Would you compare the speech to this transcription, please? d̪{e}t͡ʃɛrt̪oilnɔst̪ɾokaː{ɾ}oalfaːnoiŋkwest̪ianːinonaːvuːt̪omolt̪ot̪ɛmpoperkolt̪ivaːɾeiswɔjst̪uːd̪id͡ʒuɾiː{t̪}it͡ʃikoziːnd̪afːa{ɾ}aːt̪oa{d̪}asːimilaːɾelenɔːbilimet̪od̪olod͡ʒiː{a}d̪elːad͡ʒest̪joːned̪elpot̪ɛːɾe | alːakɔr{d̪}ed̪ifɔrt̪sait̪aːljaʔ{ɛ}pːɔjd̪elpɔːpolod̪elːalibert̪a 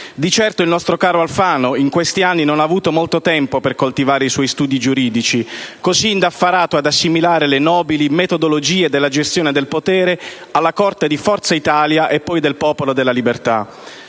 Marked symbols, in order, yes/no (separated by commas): no, yes, no, yes, yes, no, no, no